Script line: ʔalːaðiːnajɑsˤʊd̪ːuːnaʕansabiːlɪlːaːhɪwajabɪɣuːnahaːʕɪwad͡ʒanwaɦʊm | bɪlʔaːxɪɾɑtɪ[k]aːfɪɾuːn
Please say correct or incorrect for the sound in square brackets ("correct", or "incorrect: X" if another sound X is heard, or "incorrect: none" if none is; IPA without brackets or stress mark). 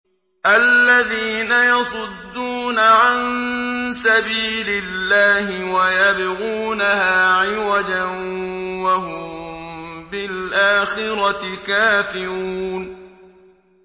correct